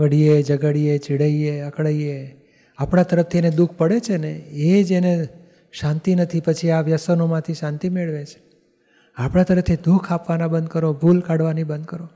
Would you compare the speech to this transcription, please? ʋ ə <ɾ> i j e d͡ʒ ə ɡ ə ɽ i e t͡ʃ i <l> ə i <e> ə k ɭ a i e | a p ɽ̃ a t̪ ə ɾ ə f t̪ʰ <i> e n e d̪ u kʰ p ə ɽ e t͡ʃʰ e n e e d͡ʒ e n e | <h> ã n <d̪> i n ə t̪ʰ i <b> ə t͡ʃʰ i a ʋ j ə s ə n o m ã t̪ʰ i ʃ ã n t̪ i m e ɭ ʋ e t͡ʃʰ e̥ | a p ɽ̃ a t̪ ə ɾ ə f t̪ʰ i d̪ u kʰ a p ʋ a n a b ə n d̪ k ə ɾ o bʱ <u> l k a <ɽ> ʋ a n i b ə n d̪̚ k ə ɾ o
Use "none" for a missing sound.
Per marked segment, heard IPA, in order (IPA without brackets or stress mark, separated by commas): ɽ, ɽ, e, i, ʃ, t̪, p, u, ɽ